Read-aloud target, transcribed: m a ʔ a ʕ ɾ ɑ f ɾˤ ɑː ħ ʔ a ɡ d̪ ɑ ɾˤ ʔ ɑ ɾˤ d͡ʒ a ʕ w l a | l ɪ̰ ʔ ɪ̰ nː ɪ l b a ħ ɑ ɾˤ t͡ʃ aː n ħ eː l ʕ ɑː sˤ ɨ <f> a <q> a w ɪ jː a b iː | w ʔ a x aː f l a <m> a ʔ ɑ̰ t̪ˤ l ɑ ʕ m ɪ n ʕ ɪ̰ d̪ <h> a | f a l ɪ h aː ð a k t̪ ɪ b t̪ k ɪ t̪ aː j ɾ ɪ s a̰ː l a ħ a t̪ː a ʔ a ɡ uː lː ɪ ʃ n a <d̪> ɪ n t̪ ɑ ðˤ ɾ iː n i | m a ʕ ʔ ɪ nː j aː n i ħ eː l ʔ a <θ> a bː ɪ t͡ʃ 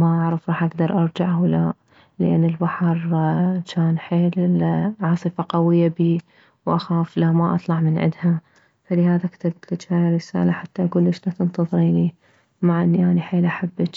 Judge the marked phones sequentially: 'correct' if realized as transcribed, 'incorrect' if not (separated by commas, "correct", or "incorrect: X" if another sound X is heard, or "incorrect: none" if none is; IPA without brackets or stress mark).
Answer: correct, correct, correct, correct, incorrect: t̪, incorrect: ħ